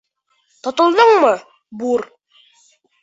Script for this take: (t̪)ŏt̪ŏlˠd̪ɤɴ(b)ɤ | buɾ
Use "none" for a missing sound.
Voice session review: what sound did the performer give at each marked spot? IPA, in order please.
t̪, m

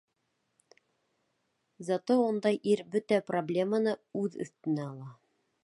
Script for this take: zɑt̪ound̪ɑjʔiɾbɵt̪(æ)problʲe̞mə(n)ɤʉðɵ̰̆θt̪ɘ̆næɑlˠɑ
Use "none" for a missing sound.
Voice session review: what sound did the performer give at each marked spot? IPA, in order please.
æ, n

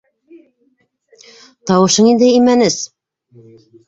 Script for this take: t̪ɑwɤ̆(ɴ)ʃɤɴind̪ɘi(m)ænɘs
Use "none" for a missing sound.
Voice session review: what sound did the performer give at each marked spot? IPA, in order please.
none, m

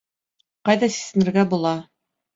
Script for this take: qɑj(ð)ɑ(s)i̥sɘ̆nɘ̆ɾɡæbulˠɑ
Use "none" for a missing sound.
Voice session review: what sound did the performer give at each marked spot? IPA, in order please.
ð, s

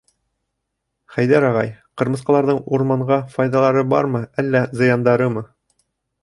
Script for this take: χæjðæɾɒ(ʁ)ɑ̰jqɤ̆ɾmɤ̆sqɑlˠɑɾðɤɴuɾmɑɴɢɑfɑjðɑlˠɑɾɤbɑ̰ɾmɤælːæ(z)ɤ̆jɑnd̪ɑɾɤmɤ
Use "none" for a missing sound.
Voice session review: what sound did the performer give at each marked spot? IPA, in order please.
ʁ, z

